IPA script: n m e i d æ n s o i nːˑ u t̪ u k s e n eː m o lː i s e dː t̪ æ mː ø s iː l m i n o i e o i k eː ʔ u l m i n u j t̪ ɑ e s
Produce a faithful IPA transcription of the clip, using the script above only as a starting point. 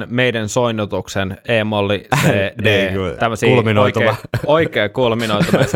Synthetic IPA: n m e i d æ n s o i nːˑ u t̪ u k s e n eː m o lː i s e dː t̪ æ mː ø s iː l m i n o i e o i k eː k u l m i n o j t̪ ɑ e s